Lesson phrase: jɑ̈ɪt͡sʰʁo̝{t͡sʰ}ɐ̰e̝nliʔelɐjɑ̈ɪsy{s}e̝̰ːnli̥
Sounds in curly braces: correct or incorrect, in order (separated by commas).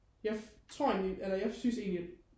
incorrect, correct